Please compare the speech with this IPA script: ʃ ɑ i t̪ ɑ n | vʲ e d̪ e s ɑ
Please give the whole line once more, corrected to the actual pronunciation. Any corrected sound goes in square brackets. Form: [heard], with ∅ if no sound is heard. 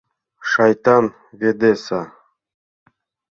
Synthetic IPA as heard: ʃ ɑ [j] t̪ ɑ n | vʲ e d̪ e s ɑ